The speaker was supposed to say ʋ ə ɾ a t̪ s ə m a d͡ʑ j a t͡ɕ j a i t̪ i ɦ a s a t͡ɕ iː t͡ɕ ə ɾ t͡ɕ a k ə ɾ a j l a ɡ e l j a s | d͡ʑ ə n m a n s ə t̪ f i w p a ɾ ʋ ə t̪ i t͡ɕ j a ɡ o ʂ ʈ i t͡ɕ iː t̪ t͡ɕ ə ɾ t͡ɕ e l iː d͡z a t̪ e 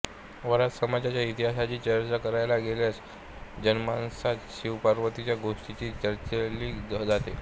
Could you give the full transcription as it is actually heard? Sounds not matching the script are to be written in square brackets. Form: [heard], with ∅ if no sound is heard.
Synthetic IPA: ʋ ə ɾ a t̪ s ə m a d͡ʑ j a t͡ɕ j a i t̪ i ɦ a s a t͡ɕ iː t͡ɕ ə ɾ t͡ɕ a k ə ɾ a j l a ɡ e l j a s | d͡ʑ ə n m a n s [a] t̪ [ɕ] i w p a ɾ ʋ ə t̪ i t͡ɕ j a ɡ o ʂ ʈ i t͡ɕ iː [∅] t͡ɕ ə ɾ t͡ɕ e l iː d͡z a t̪ e